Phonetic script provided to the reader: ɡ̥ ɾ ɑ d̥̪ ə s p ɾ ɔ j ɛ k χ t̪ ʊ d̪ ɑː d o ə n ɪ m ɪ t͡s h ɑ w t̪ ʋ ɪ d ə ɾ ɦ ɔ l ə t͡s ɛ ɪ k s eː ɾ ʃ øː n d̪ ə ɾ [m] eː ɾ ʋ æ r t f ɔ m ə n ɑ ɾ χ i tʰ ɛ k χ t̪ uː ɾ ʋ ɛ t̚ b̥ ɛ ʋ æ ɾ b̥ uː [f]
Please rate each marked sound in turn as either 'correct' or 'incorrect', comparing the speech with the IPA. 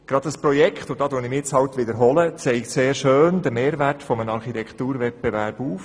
correct, correct

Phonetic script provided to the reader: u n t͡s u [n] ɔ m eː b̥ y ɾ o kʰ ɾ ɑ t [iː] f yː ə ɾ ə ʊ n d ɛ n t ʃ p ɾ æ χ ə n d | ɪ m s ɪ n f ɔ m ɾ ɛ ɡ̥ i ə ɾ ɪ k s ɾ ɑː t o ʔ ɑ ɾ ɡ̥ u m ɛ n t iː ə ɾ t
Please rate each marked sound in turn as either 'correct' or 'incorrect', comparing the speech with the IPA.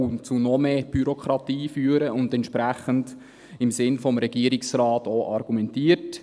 correct, correct

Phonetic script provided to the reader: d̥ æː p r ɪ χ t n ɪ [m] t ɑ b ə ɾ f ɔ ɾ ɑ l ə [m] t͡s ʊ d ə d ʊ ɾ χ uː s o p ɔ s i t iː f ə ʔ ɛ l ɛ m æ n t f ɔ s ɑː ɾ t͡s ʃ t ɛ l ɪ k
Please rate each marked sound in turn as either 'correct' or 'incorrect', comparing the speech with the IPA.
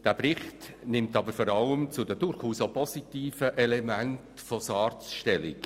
correct, correct

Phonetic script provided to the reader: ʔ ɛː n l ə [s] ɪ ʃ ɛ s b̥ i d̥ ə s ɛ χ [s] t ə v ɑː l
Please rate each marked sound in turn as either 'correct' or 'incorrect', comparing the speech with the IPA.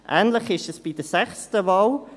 incorrect, correct

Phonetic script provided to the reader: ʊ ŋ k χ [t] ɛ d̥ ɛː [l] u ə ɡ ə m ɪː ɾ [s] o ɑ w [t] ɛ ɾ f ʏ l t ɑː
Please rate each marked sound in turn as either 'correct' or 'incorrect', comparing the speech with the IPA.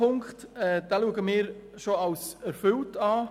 correct, correct, incorrect, incorrect

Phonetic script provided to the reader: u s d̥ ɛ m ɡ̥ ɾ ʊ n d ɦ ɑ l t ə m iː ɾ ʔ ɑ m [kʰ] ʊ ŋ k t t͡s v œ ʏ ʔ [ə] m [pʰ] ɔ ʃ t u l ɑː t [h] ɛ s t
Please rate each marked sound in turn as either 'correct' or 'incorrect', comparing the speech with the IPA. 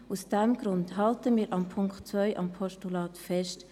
incorrect, incorrect, correct, incorrect

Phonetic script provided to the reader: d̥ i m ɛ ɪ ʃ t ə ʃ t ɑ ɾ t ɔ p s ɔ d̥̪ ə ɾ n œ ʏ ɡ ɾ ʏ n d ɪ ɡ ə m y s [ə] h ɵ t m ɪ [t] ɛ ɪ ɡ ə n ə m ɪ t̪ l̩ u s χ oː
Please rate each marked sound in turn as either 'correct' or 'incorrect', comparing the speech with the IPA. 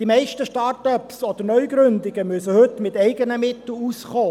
correct, correct

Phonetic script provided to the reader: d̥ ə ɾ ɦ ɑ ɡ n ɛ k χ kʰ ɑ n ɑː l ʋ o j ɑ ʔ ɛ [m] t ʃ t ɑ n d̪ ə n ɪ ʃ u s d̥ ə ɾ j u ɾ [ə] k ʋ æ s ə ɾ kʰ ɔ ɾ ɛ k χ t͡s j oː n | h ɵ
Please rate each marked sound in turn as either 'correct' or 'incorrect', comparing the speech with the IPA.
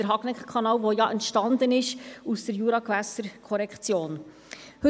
incorrect, incorrect

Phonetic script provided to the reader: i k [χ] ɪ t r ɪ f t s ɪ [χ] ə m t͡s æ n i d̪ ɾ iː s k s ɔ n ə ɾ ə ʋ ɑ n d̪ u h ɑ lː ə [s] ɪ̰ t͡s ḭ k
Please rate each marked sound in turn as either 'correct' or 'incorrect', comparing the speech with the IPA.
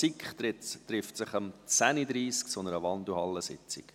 correct, correct, correct

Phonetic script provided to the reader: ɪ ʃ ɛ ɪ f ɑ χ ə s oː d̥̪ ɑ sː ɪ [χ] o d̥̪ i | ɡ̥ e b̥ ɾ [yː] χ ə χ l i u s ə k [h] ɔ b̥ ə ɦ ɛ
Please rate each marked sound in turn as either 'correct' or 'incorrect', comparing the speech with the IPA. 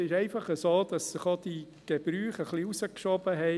correct, correct, incorrect

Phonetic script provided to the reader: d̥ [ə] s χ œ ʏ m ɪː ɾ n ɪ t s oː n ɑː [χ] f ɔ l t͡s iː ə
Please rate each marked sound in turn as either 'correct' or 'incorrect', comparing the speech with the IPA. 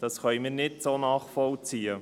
incorrect, correct

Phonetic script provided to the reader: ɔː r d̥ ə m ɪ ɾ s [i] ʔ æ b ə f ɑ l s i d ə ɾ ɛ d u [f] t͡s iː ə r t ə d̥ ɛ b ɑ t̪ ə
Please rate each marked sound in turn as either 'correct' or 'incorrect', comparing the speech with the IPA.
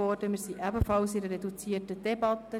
correct, incorrect

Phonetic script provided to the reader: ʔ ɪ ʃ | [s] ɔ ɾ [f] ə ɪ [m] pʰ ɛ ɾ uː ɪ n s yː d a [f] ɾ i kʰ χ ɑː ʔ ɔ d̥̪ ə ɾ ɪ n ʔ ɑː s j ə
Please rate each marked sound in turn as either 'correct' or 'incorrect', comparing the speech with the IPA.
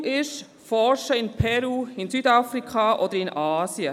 incorrect, incorrect, incorrect, correct

